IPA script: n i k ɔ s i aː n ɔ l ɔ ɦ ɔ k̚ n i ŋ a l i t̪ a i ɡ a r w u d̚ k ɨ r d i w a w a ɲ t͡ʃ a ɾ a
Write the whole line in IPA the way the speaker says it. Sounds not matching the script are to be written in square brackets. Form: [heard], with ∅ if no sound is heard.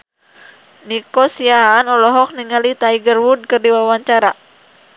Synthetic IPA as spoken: n i k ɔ s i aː n ɔ l ɔ ɦ ɔ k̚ n i ŋ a l i t̪ a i ɡ [ə] r w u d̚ k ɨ r d i w a w a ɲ t͡ʃ a ɾ a